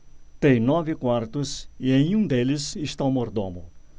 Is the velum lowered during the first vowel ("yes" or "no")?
yes